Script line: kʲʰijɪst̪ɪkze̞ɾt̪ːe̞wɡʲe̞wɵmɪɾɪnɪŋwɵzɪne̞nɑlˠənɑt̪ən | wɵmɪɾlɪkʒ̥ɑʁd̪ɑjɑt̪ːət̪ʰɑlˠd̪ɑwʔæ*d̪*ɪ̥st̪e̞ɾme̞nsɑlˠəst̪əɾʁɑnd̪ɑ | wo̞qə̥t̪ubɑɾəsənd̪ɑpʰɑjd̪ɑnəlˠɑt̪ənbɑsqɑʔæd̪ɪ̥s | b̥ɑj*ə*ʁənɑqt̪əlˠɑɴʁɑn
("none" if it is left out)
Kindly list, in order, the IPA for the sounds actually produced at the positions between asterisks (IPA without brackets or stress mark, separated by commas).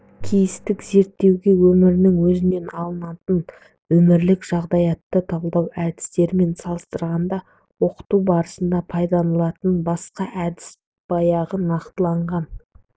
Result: d̪, ɑ